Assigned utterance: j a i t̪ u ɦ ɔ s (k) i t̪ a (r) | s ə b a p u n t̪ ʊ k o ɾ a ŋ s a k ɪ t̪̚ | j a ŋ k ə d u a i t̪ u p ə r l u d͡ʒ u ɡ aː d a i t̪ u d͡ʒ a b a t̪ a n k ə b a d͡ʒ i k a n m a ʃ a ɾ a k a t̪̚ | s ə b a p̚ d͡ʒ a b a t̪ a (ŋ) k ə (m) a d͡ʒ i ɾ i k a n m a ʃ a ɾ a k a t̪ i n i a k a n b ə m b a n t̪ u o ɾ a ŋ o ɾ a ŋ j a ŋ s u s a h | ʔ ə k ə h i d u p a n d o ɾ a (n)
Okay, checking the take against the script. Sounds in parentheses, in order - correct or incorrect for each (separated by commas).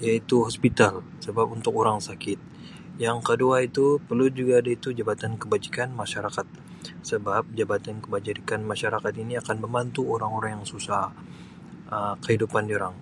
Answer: incorrect, incorrect, incorrect, incorrect, incorrect